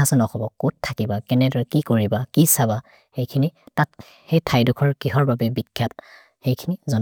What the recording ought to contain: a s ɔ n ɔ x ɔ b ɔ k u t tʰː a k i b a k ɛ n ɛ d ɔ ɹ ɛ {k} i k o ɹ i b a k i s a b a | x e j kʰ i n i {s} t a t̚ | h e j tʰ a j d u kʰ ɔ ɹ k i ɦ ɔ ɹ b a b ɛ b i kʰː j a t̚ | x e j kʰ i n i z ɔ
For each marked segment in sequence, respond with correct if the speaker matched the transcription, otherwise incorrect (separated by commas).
correct, incorrect